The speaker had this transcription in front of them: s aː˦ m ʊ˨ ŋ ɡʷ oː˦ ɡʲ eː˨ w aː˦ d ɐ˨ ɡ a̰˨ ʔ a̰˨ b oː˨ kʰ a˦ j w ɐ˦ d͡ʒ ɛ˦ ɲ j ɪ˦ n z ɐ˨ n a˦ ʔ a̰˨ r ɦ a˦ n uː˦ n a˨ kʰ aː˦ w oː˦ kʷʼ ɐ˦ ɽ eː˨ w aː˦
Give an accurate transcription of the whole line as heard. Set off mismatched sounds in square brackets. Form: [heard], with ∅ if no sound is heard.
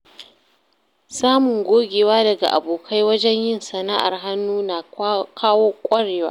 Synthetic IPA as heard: s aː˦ m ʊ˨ ŋ ɡʷ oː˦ ɡʲ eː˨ w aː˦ d ɐ˨ ɡ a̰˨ ʔ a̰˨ b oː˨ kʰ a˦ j w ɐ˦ d͡ʒ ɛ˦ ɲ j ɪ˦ n [s] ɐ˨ n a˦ ʔ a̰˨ r ɦ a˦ [nː] uː˦ n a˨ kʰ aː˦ w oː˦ kʷʼ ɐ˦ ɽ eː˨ w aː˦